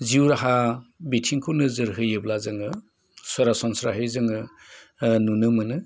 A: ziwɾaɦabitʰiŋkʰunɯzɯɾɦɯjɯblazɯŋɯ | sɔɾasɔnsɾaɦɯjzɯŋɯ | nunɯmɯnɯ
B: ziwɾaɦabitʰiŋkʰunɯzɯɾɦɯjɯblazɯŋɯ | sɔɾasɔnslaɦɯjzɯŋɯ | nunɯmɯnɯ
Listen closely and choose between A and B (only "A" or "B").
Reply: A